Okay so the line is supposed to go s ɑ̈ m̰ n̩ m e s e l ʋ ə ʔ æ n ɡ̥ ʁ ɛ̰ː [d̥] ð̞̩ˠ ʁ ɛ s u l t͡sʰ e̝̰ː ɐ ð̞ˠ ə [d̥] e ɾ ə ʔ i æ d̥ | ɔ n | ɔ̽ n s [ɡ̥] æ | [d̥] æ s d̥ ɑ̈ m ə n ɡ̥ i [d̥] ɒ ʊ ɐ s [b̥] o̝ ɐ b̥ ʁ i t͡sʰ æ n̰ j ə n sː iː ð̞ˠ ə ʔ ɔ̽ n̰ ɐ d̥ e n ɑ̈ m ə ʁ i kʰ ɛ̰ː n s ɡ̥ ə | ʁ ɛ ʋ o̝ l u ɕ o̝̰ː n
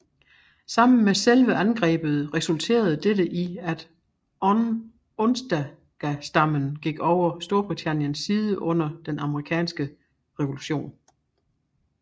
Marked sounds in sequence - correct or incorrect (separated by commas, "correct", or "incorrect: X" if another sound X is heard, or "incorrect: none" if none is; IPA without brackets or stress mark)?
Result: incorrect: b̥, correct, incorrect: d̥, incorrect: ɡ̥, incorrect: ɡ̥, incorrect: d̥